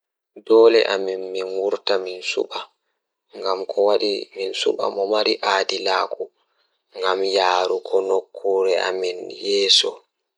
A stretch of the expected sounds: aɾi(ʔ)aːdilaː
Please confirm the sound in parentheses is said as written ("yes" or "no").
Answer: yes